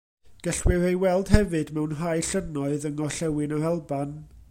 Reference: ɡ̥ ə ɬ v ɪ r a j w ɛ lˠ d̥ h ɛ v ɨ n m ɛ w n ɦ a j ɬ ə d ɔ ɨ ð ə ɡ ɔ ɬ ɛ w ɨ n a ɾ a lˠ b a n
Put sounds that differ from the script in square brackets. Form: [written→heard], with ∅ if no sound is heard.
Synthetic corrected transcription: ɡ̥ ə ɬ [v→w] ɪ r [a→e] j w ɛ lˠ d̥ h ɛ v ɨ [n→d] m ɛ w n ɦ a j ɬ ə [d→n] ɔ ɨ ð ə [ɡ→ŋ] ɔ ɬ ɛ w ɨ n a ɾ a lˠ b a n